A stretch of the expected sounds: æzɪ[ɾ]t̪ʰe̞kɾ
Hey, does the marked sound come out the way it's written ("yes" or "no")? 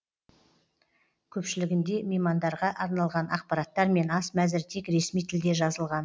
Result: yes